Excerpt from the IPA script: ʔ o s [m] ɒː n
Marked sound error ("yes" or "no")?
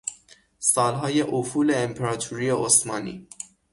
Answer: no